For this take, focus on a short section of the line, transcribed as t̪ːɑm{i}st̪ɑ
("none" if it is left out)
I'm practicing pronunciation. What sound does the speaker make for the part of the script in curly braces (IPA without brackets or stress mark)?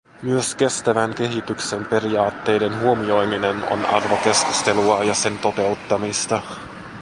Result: i